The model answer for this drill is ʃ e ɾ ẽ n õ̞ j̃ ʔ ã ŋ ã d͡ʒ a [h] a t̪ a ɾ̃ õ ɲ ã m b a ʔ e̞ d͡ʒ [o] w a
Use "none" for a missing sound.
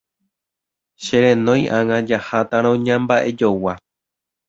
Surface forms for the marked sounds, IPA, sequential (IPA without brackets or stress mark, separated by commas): h, o